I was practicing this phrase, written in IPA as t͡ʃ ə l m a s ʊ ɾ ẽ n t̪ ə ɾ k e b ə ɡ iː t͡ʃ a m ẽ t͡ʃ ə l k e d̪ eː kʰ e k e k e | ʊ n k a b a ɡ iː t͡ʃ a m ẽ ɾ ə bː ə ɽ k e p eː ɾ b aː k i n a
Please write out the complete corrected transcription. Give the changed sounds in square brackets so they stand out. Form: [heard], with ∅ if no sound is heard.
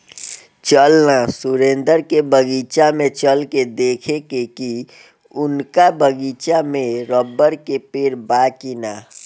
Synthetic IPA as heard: t͡ʃ ə l [n] a s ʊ ɾ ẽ n [d̪] ə ɾ k e b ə ɡ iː t͡ʃ a m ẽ t͡ʃ ə l k e d̪ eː kʰ e k e k [i] | ʊ n k a b [ə] ɡ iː t͡ʃ a m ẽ ɾ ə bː ə [ɾ] k e p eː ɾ b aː k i n a